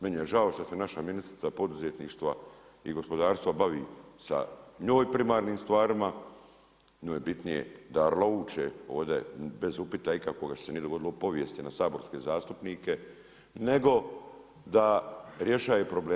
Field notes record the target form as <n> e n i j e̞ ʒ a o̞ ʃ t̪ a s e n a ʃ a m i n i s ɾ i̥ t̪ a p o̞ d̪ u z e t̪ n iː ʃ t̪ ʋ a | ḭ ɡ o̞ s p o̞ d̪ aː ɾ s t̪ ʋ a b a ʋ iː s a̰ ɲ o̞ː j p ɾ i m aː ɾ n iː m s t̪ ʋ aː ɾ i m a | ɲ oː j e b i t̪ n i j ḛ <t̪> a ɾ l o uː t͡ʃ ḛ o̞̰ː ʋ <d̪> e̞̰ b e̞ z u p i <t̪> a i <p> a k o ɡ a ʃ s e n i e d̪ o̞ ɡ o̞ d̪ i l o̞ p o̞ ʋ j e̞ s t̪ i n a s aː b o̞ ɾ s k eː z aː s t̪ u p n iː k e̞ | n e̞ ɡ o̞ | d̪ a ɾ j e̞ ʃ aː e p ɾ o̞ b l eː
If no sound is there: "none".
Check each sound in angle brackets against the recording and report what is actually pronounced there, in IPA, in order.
m, d̪, d̪, t̪, k

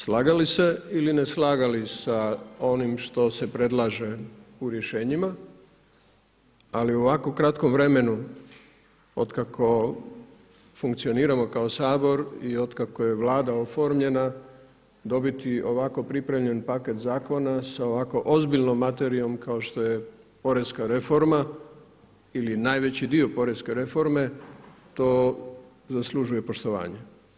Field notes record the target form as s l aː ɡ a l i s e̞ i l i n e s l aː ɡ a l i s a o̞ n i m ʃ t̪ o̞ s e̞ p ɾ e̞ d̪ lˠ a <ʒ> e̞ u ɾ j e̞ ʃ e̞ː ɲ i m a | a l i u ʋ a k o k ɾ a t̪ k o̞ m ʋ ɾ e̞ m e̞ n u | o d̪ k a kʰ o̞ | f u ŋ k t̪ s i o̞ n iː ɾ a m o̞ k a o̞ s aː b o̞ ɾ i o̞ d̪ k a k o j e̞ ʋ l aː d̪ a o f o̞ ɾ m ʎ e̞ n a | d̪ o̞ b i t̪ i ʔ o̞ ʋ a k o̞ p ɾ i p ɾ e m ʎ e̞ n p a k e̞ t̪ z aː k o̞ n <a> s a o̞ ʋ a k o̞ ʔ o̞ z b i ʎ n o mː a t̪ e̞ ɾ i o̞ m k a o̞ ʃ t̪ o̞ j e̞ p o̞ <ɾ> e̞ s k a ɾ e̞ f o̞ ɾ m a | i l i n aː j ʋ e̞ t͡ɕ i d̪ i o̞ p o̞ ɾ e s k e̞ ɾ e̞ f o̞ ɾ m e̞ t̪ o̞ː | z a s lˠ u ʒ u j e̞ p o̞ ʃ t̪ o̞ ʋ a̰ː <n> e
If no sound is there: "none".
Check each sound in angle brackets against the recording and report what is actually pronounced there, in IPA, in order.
ʒ, a, ɾ, ɲ

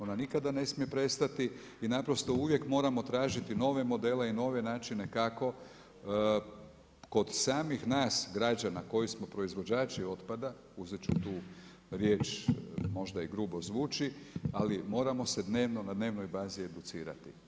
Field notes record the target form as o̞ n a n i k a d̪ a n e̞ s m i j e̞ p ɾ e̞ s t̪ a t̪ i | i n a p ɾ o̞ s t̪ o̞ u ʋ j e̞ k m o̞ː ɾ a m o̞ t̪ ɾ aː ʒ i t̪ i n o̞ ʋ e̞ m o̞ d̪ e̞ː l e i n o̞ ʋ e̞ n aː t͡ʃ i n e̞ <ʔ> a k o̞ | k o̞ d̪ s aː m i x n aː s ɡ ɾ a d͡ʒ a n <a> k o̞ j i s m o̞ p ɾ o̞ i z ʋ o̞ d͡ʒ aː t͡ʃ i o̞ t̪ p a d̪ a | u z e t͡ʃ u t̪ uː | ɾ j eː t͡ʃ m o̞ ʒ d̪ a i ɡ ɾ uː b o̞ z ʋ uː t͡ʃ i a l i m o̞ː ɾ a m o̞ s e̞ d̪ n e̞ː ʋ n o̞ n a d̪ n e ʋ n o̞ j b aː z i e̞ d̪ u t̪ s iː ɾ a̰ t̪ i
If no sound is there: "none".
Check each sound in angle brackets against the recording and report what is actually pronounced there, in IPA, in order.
k, a

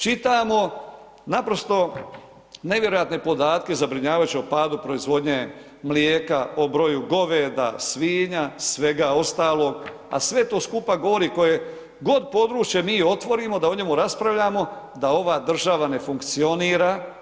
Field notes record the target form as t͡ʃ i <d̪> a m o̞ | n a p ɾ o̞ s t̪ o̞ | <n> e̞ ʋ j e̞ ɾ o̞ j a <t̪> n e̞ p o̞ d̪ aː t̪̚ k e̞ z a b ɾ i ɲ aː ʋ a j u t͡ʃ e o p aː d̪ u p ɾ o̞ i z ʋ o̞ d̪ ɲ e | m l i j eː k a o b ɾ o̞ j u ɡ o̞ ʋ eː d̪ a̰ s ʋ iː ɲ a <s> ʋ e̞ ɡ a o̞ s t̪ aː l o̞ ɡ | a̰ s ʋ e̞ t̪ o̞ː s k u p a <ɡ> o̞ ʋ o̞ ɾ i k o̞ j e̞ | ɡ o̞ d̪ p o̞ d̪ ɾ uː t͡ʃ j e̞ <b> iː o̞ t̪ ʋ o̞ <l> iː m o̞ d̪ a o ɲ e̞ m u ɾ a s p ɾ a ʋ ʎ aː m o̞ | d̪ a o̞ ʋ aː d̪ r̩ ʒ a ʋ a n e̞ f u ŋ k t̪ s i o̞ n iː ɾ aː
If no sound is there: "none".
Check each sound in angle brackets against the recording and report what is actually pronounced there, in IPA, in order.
t̪, n, t̪, s, ɡ, m, ɾ

